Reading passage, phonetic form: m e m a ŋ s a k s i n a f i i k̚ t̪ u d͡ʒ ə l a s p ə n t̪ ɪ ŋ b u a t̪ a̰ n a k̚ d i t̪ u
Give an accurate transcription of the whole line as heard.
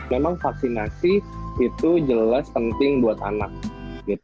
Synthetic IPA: m e m a ŋ f a k s i n a s i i t̪ u d͡ʒ ə l a s p ə n t̪ ɪ ŋ b u a t̪ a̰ n a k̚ ɡ i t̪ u